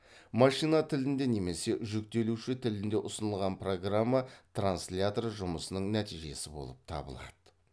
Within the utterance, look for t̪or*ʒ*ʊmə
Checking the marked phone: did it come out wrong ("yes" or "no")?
no